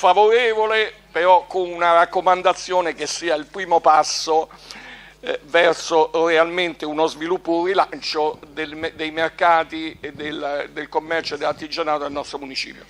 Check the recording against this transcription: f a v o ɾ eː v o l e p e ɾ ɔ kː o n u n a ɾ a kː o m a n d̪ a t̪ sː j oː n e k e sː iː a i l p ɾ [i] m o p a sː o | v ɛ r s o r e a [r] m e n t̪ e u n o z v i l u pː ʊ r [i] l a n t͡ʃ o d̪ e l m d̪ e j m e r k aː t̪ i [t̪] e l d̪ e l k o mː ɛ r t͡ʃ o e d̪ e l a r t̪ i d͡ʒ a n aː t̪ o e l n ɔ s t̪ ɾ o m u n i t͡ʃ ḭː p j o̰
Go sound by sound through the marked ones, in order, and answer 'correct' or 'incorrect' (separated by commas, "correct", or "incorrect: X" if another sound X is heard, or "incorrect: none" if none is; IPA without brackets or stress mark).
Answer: incorrect: iː, incorrect: l, correct, incorrect: d̪